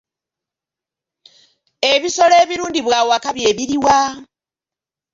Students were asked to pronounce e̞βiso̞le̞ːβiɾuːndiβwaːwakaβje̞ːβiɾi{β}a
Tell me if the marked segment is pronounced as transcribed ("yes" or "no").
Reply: no